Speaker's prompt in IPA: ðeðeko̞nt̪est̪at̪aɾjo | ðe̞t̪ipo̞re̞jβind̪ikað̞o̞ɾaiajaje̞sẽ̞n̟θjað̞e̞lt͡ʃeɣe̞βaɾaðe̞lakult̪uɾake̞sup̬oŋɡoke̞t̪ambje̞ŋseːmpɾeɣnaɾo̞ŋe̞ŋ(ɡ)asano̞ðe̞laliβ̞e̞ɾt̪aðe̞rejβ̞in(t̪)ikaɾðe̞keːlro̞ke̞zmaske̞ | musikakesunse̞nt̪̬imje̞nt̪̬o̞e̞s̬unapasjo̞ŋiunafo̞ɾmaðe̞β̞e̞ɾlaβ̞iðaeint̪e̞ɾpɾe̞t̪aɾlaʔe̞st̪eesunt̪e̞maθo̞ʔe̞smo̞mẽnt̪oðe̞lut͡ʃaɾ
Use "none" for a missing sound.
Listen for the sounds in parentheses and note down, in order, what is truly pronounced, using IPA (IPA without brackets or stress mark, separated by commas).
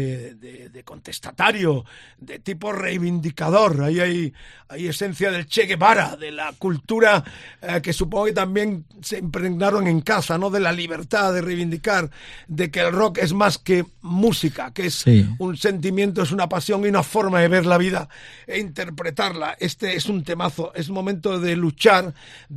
k, d̪